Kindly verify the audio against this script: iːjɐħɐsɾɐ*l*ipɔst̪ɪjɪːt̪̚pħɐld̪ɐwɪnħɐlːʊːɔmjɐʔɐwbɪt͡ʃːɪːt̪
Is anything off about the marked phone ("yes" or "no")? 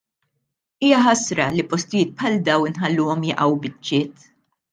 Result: no